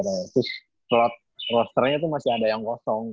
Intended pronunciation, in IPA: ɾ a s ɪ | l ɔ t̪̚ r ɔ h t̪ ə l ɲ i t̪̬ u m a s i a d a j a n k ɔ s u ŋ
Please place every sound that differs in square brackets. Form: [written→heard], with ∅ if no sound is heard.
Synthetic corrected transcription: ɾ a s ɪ | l ɔ t̪̚ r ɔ [h→s] t̪ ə [l→r] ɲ [i→a] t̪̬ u m a s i a d a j a [n→ŋ] k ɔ s [u→ɔ] ŋ